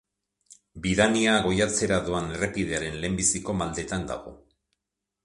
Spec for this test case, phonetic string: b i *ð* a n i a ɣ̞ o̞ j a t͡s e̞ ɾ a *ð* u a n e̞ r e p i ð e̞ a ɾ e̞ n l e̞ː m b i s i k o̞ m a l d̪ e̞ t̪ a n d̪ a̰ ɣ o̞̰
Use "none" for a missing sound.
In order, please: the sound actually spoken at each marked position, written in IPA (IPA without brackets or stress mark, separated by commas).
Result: ð, ð